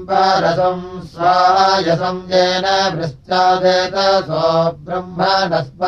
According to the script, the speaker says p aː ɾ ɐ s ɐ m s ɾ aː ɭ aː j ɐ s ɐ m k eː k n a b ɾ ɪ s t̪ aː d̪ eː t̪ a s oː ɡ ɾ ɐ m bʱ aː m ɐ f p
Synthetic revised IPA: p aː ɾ ɐ s ɐ m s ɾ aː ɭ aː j ɐ s ɐ m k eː n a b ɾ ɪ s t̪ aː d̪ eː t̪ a s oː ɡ ɾ ɐ m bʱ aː n ɐ s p